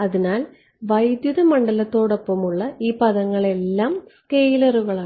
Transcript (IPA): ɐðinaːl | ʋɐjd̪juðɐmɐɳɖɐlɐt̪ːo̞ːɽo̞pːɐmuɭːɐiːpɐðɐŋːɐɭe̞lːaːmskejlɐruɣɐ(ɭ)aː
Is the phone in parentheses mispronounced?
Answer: no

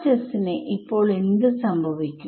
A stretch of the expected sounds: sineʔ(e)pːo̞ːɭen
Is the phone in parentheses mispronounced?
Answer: yes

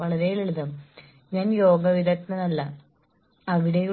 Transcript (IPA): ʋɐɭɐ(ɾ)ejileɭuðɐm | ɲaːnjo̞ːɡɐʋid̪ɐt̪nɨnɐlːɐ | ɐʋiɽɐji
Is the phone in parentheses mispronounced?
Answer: no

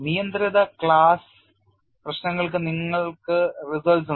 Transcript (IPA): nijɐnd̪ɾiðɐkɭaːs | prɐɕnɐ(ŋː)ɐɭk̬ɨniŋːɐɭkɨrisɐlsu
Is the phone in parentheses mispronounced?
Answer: no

